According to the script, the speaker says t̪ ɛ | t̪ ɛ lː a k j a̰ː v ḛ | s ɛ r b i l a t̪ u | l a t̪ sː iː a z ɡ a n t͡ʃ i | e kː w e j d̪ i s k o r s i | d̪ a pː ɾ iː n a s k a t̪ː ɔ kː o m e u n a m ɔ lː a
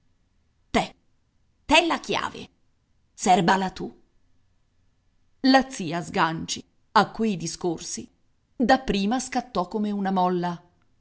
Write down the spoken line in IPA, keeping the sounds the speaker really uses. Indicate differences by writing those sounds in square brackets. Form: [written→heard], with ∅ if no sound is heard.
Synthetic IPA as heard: t̪ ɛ | t̪ ɛ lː a k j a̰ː v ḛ | s ɛ r b [i→a] l a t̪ u | l a t̪ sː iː a z ɡ a n t͡ʃ i | [e→a] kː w e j d̪ i s k o r s i | d̪ a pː ɾ iː [n→m] a s k a t̪ː ɔ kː o m e u n a m ɔ lː a